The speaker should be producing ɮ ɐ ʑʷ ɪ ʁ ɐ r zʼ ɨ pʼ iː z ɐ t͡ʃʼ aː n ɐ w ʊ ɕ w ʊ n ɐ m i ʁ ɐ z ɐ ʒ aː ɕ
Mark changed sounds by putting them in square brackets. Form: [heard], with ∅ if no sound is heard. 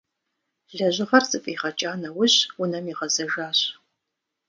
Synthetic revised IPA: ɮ ɐ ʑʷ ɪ ʁ ɐ r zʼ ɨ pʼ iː [ʁ] ɐ t͡ʃʼ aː n ɐ w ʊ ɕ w ʊ n ɐ m i ʁ ɐ z ɐ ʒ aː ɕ

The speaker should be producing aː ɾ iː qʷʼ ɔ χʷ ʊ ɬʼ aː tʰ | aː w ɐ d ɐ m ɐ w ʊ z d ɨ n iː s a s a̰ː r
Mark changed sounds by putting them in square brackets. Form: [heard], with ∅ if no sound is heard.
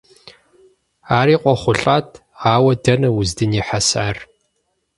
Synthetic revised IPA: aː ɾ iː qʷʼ ɔ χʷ ʊ ɬʼ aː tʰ | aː w ɐ d ɐ [n] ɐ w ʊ z d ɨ n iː [ħ] a s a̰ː r

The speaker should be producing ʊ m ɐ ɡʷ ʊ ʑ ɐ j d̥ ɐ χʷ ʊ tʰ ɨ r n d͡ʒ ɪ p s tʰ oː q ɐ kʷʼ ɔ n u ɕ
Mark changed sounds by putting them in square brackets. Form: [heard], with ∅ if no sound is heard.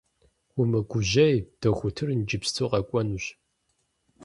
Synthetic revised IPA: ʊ m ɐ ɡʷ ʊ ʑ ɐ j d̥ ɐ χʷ ʊ tʰ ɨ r n d͡ʒ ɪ p s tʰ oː q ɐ kʷʼ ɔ n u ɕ

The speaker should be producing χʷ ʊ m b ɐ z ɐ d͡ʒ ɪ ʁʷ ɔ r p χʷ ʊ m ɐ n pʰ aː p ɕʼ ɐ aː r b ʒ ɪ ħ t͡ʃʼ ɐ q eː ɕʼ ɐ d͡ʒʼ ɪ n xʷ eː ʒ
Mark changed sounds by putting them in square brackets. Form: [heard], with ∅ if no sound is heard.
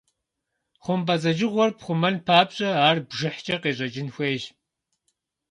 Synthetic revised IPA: χʷ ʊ m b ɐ z ɐ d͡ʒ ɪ ʁʷ ɔ r p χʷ ʊ m ɐ n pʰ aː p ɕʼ ɐ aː r b ʒ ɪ ħ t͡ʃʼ ɐ q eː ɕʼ ɐ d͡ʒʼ ɪ n xʷ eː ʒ

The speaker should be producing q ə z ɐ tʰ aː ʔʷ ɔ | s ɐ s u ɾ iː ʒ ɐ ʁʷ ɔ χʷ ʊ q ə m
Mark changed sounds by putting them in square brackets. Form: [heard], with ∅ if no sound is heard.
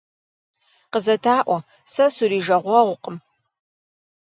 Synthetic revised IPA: q ə z ɐ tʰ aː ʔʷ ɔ | s ɐ s u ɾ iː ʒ ɐ ʁʷ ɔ [ʁʷ] ʊ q ə m

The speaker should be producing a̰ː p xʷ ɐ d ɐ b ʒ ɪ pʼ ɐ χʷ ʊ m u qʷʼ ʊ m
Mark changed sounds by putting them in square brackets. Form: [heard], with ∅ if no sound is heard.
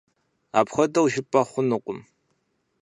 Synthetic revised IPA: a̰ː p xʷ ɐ d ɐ [w] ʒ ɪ pʼ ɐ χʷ ʊ [n] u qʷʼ ʊ m

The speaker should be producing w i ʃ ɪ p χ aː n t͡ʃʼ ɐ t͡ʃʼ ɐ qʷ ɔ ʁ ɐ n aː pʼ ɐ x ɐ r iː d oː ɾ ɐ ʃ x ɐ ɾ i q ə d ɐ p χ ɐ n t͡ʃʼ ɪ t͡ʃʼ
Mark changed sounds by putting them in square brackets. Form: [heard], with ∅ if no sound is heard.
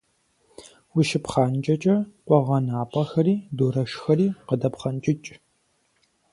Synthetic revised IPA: w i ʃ ɪ p χ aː n t͡ʃʼ ɐ t͡ʃʼ ɐ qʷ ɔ ʁ ɐ n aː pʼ ɐ x ɐ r iː d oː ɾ ɐ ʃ x ɐ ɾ [iː] q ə d ɐ p χ ɐ n t͡ʃʼ ɪ t͡ʃʼ

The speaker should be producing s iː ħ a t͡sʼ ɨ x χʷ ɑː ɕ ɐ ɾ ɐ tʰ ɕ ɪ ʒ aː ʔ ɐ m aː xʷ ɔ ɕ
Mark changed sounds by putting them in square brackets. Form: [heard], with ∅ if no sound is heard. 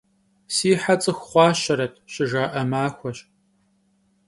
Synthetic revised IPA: s iː ħ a t͡sʼ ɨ x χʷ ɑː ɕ ɐ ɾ ɐ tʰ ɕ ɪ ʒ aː ʔ ɐ m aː xʷ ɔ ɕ

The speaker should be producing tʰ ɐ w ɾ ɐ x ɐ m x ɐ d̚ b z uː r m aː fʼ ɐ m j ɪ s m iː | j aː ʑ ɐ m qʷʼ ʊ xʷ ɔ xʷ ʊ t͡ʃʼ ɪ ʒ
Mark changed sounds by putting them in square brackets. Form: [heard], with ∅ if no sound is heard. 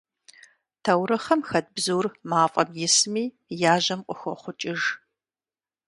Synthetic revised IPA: tʰ ɐ w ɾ ɐ [χ] ɐ m x ɐ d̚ b z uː r m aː fʼ ɐ m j ɪ s m iː | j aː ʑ ɐ m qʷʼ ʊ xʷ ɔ [χʷ] ʊ t͡ʃʼ ɪ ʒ

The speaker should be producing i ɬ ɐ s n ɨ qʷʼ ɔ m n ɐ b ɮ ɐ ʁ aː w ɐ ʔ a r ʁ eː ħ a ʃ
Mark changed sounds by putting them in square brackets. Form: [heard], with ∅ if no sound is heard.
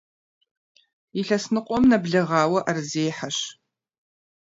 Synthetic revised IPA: i ɬ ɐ s n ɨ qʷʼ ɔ m n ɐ b ɮ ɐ ʁ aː w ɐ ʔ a r [z] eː ħ a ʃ

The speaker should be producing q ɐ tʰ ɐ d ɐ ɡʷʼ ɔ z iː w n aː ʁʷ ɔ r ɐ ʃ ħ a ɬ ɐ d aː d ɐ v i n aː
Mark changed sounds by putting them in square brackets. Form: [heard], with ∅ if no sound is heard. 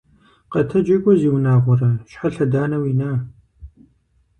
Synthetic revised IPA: q ɐ tʰ ɐ [d͡ʒ] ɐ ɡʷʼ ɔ z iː w n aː ʁʷ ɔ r ɐ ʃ ħ a ɬ ɐ d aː [n] ɐ [w] i n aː

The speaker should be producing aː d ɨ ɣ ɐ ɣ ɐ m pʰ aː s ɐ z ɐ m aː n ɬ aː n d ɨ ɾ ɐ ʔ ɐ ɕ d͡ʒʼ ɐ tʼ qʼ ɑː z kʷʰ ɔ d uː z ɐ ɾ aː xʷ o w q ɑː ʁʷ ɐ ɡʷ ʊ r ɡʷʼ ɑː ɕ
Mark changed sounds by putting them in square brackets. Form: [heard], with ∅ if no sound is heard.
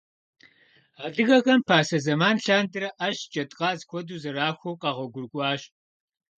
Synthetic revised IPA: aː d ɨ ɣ ɐ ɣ ɐ m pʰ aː s ɐ z ɐ m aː n ɬ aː n d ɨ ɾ ɐ ʔ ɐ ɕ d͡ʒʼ ɐ tʼ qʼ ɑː z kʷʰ ɔ d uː z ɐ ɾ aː xʷ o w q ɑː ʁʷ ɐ ɡʷ ʊ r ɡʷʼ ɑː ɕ

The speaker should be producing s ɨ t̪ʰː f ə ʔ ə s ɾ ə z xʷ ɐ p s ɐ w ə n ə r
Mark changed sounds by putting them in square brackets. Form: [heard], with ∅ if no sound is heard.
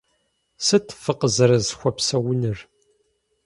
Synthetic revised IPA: s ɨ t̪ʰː f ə [q] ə [z] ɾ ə z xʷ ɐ p s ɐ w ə n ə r

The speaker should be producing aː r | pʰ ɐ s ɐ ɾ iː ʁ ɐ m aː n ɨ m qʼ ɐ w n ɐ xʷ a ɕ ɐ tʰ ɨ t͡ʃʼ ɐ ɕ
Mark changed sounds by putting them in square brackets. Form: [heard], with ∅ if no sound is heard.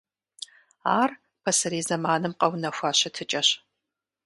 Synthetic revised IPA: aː r | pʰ ɐ s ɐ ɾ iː [z] ɐ m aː n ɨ m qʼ ɐ w n ɐ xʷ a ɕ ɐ tʰ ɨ t͡ʃʼ ɐ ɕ

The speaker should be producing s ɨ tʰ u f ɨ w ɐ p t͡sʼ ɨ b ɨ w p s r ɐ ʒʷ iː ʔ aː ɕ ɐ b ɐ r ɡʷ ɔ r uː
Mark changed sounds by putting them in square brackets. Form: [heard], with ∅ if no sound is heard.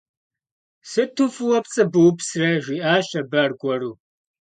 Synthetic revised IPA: s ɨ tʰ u f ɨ w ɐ p t͡sʼ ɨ b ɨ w p s r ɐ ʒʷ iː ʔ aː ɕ ɐ b ɐ r ɡʷ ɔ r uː

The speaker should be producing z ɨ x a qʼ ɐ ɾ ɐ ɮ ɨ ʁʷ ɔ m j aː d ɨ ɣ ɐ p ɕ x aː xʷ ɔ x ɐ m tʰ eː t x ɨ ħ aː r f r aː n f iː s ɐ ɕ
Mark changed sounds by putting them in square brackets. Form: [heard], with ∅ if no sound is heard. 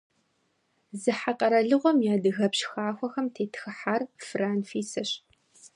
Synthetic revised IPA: z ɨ [ħ] a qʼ ɐ ɾ ɐ ɮ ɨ ʁʷ ɔ m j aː d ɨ ɣ ɐ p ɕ x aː xʷ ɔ x ɐ m tʰ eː t x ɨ ħ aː r f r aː n f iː s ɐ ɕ

